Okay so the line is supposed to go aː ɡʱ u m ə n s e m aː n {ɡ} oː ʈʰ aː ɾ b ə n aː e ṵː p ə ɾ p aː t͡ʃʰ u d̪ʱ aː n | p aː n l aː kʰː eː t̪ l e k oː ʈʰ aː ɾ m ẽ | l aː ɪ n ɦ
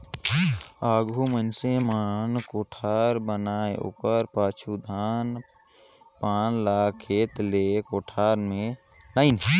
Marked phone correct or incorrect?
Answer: incorrect